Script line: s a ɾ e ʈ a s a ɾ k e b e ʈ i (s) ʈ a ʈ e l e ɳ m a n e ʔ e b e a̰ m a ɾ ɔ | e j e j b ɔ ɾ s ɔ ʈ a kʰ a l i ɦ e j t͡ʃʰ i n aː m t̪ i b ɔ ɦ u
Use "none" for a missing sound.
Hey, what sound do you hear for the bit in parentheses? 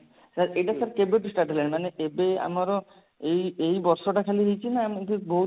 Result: s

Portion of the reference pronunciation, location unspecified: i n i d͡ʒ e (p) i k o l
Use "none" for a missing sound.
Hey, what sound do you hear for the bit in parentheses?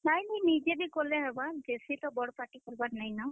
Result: b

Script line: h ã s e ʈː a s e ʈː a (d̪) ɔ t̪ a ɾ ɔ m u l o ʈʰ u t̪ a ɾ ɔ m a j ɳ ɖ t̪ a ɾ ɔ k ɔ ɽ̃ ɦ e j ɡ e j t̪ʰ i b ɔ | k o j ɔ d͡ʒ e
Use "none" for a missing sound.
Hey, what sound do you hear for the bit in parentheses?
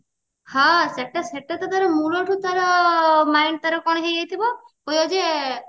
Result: t̪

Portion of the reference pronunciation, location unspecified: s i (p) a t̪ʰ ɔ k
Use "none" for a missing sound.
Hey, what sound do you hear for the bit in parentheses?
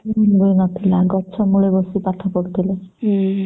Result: p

